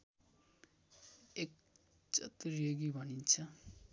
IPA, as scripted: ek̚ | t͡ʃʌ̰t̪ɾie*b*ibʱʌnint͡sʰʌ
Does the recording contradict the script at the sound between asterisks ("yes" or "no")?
yes